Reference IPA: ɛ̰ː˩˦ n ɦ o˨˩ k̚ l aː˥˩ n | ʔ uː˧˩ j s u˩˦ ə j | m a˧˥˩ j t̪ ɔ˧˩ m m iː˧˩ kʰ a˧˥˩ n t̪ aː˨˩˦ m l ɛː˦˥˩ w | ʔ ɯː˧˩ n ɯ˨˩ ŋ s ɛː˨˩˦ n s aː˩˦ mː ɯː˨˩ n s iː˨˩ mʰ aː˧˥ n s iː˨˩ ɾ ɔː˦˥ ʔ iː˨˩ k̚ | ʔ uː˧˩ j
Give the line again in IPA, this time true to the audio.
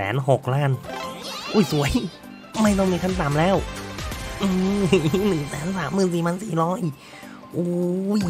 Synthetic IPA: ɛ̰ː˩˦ n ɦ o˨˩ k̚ l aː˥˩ n | ʔ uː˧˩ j s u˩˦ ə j | m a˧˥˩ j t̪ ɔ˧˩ ŋ m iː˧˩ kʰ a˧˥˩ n t̪ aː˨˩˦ m l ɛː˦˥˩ w | ʔ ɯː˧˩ n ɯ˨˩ ŋ s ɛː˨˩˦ n s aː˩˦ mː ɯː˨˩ n s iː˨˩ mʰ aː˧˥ n s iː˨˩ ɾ ɔː˦˥ ʔ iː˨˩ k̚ | ʔ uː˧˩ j